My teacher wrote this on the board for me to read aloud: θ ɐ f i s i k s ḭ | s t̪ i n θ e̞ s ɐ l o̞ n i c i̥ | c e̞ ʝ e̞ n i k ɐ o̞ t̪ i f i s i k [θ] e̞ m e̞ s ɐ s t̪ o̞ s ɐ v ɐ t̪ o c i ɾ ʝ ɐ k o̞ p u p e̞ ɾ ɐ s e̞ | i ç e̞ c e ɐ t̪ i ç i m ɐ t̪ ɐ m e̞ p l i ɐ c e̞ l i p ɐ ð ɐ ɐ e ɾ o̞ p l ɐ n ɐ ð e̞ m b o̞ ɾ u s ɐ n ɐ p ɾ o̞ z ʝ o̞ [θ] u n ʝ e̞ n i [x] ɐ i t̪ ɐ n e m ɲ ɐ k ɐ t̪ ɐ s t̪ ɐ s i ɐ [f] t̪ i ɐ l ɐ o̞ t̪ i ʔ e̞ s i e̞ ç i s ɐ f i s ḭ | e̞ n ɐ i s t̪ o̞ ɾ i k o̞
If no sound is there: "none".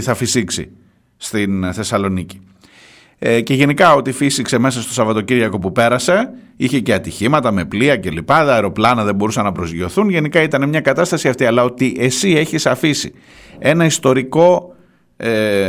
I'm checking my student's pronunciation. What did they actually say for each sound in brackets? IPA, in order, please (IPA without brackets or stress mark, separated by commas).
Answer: s, θ, k, f